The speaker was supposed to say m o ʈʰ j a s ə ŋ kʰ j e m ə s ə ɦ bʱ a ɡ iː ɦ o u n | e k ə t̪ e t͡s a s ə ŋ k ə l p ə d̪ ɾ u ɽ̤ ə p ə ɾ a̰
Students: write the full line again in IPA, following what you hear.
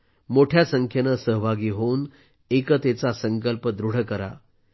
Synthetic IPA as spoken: m o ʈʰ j a s ə ŋ kʰ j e n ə s ə ɦ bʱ a ɡ iː ɦ o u n | e k ə t̪ e t͡s a s ə ŋ k ə l p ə d̪ ɾ u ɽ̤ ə k ə ɾ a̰